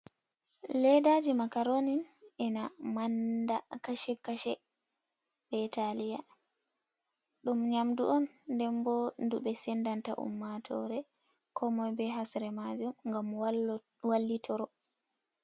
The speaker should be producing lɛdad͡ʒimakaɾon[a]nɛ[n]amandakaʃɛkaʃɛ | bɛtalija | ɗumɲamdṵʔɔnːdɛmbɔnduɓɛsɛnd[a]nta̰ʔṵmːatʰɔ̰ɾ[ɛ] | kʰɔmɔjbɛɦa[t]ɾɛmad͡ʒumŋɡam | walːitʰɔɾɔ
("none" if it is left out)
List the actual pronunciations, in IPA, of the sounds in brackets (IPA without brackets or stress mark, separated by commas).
i, n, a, ɛ, s